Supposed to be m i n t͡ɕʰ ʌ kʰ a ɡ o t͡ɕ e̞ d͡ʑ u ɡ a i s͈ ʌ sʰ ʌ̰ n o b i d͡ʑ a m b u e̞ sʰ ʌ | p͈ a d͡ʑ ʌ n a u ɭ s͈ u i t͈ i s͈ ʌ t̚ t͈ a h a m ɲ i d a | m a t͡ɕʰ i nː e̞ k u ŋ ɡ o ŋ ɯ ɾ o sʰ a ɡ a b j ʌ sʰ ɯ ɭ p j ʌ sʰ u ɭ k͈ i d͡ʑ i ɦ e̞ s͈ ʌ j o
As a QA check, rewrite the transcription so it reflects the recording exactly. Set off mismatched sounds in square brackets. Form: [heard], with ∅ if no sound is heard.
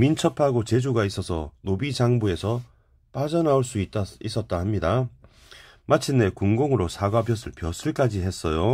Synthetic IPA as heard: m i n t͡ɕʰ ʌ [pʰ] a ɡ o t͡ɕ e̞ d͡ʑ u ɡ a i s͈ ʌ sʰ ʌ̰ n o b i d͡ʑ a [ŋ] b u e̞ sʰ ʌ | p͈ a d͡ʑ ʌ n a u ɭ s͈ u i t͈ i s͈ ʌ t̚ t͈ a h a m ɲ i d a | m a t͡ɕʰ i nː e̞ k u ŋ ɡ o ŋ ɯ ɾ o sʰ a ɡ a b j ʌ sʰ ɯ ɭ p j ʌ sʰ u ɭ k͈ [a] d͡ʑ i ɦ e̞ s͈ ʌ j o